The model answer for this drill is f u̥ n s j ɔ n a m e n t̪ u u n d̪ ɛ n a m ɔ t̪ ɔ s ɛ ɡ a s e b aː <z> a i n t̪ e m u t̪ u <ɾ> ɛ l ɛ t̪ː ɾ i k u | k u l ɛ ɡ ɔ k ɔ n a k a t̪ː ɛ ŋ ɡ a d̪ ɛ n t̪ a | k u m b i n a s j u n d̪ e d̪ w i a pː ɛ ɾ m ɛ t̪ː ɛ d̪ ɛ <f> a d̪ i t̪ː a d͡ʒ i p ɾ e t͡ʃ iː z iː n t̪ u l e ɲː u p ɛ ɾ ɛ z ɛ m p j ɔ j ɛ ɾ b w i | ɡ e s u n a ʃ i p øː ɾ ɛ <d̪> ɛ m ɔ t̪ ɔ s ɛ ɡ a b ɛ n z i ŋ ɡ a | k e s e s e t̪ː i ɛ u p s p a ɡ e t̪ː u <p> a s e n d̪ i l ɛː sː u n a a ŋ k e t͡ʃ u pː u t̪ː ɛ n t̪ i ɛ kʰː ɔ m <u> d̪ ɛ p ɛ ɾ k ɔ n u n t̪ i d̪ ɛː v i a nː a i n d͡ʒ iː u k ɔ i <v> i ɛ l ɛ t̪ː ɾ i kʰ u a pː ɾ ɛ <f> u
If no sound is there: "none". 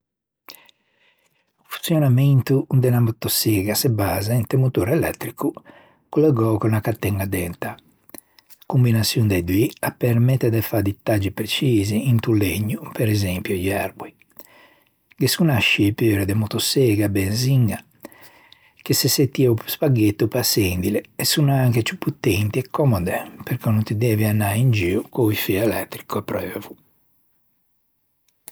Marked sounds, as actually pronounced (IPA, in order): z, ɾ, f, d̪, p, ɔ, f, v

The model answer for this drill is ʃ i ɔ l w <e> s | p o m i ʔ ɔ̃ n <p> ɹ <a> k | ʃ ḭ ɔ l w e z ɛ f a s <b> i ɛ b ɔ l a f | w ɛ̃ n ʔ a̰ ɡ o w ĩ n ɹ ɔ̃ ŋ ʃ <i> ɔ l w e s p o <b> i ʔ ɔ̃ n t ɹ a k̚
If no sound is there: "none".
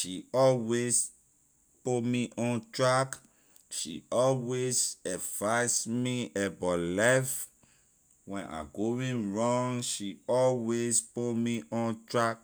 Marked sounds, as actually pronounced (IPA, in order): e, t, a, m, i, m

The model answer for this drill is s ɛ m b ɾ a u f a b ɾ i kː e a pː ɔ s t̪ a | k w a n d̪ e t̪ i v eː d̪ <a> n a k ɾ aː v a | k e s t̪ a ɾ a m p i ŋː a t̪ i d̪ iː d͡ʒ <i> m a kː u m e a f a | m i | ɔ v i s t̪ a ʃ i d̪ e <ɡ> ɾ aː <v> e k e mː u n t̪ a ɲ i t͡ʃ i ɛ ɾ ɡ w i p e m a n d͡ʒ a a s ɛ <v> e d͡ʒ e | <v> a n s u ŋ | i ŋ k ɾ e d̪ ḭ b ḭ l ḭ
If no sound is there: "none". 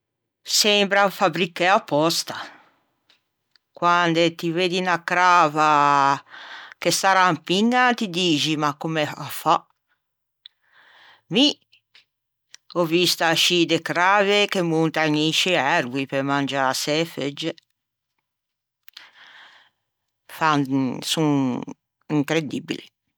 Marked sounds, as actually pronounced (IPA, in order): i, i, k, v, f, f

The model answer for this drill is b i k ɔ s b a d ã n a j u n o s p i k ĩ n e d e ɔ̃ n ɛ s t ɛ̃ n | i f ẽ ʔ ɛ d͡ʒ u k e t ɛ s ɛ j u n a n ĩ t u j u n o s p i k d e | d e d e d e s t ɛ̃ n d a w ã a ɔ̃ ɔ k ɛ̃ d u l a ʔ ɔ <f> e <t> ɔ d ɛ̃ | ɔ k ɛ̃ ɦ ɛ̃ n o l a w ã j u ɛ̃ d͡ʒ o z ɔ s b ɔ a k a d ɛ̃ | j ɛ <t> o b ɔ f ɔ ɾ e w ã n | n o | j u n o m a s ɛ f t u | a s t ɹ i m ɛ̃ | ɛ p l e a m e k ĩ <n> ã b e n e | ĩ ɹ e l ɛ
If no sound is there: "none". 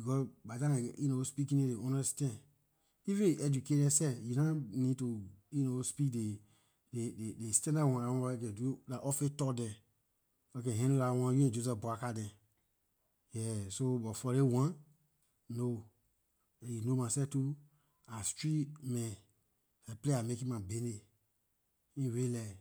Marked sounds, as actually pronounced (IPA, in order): f, t, s, m

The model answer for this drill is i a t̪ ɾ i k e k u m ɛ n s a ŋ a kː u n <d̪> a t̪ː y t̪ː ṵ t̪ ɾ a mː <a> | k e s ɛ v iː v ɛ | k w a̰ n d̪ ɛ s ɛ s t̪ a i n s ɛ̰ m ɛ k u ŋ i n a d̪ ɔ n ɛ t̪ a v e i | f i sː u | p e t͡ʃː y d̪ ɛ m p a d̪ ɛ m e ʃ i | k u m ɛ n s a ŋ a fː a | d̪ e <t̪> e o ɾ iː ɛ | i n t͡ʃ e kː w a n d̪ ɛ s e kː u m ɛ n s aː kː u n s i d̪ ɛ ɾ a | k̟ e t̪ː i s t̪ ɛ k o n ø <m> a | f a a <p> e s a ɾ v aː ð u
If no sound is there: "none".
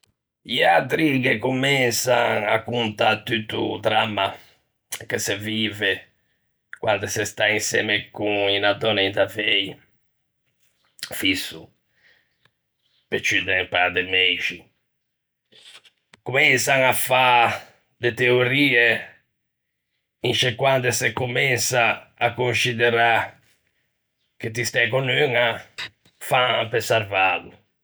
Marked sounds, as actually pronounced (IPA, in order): t̪, a, t̪, ŋ, p

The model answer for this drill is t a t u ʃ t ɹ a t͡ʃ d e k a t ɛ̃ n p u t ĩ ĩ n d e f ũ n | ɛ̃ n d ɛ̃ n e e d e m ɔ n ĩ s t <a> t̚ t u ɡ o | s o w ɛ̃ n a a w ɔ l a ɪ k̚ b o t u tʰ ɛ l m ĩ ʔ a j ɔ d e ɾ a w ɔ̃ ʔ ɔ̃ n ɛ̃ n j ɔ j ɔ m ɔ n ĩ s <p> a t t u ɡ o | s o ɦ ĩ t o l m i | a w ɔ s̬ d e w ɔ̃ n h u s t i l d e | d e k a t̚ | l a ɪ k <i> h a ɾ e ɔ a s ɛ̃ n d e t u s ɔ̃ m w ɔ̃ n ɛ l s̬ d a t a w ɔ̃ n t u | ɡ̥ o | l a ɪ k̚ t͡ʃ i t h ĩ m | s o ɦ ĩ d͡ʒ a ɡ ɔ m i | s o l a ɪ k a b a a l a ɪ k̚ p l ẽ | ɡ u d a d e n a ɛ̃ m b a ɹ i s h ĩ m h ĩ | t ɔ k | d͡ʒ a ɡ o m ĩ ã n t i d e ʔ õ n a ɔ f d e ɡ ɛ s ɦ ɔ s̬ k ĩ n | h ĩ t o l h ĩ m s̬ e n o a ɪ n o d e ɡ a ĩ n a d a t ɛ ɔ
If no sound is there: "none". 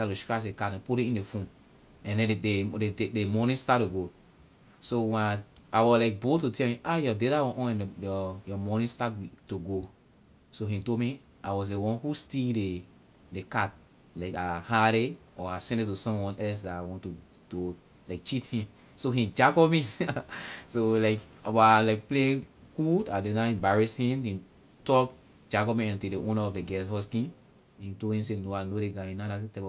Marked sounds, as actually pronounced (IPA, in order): a, t, a

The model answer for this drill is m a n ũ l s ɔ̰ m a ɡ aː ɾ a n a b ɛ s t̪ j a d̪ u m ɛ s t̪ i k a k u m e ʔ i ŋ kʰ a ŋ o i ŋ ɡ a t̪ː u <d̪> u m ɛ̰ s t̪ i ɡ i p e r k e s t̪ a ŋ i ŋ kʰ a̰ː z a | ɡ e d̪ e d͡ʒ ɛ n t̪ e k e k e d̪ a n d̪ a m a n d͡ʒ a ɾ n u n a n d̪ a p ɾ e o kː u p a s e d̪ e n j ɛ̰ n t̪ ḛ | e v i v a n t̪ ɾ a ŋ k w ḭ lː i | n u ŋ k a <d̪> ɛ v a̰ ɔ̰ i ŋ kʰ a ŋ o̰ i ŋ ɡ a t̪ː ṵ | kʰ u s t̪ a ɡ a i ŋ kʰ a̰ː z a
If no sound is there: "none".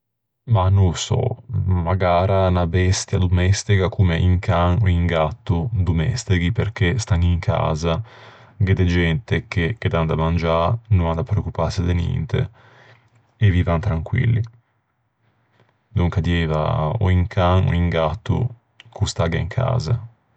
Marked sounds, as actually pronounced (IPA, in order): d̪, d̪

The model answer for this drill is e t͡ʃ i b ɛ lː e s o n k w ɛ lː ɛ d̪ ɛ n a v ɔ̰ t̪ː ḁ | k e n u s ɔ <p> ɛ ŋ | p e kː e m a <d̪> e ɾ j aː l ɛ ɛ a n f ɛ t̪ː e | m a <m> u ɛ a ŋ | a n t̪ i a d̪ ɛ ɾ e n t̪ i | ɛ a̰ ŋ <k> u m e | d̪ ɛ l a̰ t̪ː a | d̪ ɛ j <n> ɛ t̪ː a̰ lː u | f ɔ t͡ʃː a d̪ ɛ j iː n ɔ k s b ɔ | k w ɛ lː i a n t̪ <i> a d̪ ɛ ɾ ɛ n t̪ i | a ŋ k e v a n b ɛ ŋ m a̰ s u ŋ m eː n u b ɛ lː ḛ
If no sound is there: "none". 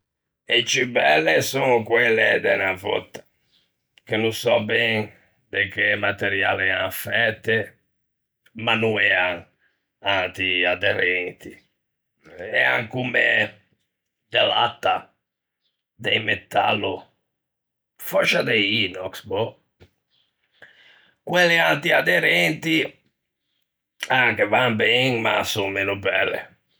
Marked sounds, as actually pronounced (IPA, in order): b, t̪, n, k, m, i

